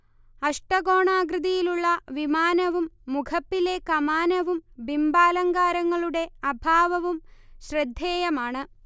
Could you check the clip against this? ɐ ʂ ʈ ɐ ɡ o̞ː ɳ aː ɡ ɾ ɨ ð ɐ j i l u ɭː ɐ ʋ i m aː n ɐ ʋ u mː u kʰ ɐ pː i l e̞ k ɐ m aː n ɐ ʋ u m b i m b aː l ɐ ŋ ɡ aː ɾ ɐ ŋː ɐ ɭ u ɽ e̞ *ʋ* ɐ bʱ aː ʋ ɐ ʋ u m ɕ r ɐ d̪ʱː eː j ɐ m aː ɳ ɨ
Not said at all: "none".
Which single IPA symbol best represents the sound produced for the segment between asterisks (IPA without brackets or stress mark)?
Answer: none